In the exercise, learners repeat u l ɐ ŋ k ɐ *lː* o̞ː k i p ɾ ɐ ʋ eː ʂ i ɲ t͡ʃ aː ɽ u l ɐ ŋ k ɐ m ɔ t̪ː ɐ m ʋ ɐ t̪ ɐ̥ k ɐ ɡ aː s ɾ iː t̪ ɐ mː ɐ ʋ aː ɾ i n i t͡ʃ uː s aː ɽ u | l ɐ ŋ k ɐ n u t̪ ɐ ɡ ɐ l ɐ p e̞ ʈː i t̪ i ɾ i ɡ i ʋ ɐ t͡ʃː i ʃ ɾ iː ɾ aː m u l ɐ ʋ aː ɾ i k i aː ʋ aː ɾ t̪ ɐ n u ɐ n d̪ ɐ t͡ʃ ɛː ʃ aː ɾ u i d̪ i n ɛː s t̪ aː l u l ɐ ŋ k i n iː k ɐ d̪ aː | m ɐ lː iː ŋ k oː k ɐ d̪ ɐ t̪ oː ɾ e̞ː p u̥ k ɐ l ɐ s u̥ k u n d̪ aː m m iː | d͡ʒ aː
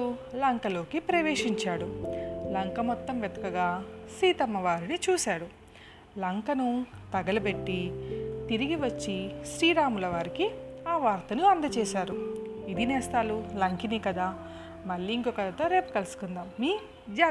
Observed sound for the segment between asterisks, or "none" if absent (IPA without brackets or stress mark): l